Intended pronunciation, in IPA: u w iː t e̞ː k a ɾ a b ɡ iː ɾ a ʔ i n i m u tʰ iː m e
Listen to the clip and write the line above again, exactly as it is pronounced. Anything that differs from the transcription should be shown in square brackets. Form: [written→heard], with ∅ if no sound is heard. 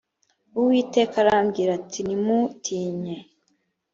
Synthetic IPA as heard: u w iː t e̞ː k a ɾ a [b→m] ɡ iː ɾ a [ʔ→t] i n i m u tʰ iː [m→ɲ] e